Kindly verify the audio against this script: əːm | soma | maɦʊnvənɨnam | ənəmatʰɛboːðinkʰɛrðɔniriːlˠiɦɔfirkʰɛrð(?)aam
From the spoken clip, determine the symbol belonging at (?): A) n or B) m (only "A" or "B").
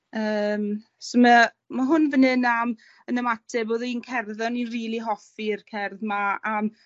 B